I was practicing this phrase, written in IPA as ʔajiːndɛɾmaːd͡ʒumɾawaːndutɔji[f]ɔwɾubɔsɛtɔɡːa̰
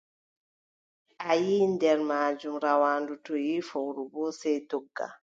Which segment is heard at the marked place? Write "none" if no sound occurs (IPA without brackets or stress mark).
f